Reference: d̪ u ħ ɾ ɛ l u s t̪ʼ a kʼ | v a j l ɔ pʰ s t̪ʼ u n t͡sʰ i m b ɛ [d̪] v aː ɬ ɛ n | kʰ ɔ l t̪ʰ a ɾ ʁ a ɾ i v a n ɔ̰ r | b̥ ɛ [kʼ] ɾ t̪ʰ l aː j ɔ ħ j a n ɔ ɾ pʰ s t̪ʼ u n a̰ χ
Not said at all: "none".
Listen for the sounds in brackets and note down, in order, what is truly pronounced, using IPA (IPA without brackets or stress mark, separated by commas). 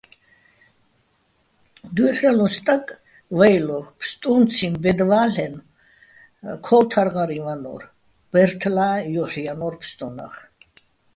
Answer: d̪, none